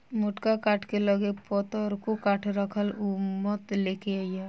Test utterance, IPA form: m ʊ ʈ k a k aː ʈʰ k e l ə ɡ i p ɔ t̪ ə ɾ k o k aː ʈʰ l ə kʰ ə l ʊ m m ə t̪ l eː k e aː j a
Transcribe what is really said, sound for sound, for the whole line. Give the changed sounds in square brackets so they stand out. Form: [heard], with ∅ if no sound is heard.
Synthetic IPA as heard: m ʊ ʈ k a k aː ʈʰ k e l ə ɡ [e] p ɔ t̪ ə ɾ k o k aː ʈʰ [ɾ] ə kʰ ə l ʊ m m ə t̪ l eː k e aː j a